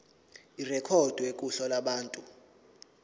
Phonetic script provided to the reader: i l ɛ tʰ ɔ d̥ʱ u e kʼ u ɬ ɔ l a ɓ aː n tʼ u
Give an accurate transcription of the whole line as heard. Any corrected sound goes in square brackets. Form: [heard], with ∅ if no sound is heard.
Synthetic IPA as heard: i [r] ɛ [kʰ] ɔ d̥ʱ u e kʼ u ɬ ɔ l a ɓ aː n tʼ u